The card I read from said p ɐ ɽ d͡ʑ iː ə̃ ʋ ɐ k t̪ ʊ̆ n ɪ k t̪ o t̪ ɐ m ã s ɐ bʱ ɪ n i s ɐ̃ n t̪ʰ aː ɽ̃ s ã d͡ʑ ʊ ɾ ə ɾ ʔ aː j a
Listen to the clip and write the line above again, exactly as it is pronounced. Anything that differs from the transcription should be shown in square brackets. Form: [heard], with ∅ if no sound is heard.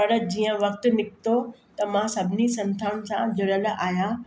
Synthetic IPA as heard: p ɐ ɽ d͡ʑ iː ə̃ ʋ ɐ k t̪ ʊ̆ n ɪ k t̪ o t̪ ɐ m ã s ɐ bʱ ɪ n i s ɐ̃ n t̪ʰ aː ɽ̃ s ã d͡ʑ ʊ ɾ ə [l] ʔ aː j a